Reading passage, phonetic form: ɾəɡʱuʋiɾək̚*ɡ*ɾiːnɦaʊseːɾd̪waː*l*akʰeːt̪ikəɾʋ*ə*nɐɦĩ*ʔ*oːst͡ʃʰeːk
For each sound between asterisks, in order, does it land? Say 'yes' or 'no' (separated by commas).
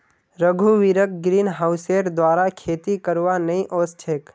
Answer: yes, no, no, yes